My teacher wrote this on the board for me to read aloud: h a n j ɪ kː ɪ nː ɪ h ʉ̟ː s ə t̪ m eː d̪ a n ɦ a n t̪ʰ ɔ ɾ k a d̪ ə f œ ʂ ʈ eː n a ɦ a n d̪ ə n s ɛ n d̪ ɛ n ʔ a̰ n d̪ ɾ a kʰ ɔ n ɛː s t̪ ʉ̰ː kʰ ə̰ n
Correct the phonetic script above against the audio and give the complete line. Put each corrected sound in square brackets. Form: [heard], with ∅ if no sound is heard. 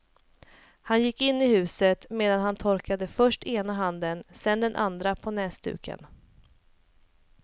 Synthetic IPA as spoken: h a n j ɪ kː ɪ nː ɪ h ʉ̟ː s ə t̪ m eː d̪ a n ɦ a n t̪ʰ ɔ ɾ k a d̪ ə f œ ʂ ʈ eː n a ɦ a n d̪ ə n s ɛ n d̪ ɛ n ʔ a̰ n d̪ ɾ a [pʰ] ɔ n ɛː s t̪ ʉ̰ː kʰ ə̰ n

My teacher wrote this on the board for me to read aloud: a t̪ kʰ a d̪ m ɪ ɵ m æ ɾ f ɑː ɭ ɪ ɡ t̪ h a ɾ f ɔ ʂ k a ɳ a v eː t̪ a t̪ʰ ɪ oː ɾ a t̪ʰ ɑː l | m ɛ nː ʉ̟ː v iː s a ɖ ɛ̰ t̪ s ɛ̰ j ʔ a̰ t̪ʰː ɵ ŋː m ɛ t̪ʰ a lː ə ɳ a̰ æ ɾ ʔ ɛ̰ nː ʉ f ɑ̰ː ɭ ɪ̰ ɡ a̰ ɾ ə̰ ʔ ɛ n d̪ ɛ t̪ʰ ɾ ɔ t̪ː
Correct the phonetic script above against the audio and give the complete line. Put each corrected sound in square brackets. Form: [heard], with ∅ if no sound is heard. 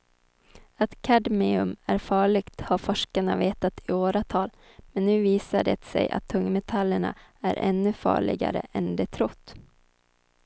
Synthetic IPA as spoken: a t̪ kʰ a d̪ m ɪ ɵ m æ ɾ f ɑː ɭ ɪ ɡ t̪ h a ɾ f ɔ ʂ k a ɳ a v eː t̪ a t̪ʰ ɪ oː ɾ a t̪ʰ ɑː l | m ɛ nː ʉ̟ː v iː s a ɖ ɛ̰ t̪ s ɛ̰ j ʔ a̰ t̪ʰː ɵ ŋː m ɛ t̪ʰ a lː ə ɳ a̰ æ ɾ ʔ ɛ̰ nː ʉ f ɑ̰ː ɭ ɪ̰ ɡ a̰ ɾ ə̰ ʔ ɛ n d̪ ɛ t̪ʰ ɾ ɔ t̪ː

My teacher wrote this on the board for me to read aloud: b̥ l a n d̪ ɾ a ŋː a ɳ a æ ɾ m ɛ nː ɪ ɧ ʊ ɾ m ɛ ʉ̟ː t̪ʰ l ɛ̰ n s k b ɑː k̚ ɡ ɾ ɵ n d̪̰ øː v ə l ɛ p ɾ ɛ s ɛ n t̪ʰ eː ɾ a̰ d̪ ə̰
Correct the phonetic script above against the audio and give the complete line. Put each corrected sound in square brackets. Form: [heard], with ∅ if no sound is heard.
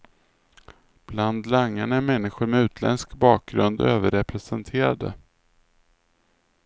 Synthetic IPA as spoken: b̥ l a n d̪ [l] a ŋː a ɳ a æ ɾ m ɛ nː ɪ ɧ ʊ ɾ m ɛ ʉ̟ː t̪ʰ l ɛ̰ n s k b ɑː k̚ ɡ ɾ ɵ n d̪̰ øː v ə [ɾ] ɛ p ɾ ɛ s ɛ n t̪ʰ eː ɾ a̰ d̪ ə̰

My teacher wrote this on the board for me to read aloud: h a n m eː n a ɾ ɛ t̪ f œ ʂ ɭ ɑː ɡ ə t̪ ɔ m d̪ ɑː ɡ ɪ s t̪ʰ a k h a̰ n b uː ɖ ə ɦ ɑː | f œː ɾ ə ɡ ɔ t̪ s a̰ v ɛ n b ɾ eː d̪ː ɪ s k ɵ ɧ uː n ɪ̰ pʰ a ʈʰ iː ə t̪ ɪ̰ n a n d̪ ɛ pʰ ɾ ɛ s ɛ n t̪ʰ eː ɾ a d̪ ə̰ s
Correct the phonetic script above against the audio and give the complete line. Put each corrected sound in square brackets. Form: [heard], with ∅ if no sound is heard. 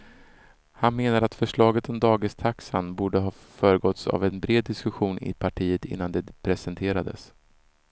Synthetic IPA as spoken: h a n m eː n a ɾ [a] t̪ f œ ʂ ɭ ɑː ɡ ə t̪ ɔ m d̪ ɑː ɡ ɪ s t̪ʰ a k [s] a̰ n b uː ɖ ə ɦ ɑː | f œː ɾ ə ɡ ɔ t̪ s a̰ v ɛ n b ɾ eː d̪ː ɪ s k ɵ ɧ uː n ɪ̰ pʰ a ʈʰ iː ə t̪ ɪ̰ [nː] a n d̪ ɛ pʰ ɾ ɛ s ɛ n t̪ʰ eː ɾ a d̪ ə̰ s

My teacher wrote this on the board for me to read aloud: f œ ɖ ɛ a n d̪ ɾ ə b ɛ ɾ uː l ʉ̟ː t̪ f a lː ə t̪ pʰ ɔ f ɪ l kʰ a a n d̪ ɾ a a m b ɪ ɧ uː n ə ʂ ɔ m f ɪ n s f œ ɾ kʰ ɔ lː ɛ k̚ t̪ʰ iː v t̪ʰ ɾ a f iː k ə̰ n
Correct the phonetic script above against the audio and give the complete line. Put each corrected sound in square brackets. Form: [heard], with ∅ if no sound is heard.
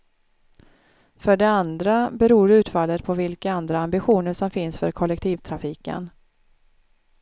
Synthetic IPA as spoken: f œ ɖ ɛ a n d̪ ɾ [a] b ɛ ɾ uː [ɾ] ʉ̟ː t̪ f a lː ə t̪ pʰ ɔ [v] ɪ l [k] a a n d̪ ɾ a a m b ɪ ɧ uː n ə ʂ ɔ m f ɪ n s f œ ɾ kʰ ɔ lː ɛ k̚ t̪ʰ iː v t̪ʰ ɾ a f iː k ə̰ n

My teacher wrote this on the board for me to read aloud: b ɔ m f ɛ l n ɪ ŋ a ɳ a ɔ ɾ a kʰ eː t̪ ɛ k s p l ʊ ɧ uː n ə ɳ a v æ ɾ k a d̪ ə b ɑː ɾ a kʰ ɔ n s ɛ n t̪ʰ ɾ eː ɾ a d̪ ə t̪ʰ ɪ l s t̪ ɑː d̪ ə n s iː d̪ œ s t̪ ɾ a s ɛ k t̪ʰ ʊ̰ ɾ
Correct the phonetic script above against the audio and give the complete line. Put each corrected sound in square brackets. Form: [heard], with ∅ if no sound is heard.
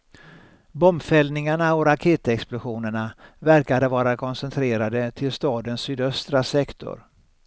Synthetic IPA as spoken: b ɔ m f ɛ l n ɪ ŋ a ɳ a ɔ ɾ a kʰ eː t̪ ɛ k s p l ʊ ɧ uː n ə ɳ a v æ ɾ k a d̪ ə [v] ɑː ɾ a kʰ ɔ n s ɛ n t̪ʰ ɾ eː ɾ a d̪ ə t̪ʰ ɪ l s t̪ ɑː d̪ ə n s [yː] d̪ œ s t̪ ɾ a s ɛ k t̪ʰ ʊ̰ ɾ

